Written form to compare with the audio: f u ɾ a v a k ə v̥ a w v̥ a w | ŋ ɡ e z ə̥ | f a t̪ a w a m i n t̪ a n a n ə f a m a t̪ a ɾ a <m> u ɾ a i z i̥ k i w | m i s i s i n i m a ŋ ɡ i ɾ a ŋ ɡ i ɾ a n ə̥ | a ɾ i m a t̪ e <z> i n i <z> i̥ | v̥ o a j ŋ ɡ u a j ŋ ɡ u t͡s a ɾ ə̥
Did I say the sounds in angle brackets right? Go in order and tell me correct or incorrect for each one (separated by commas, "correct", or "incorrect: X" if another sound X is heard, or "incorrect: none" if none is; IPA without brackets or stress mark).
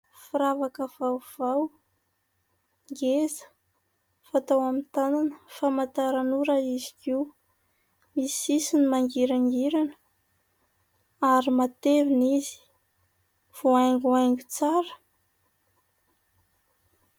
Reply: incorrect: n, incorrect: v, correct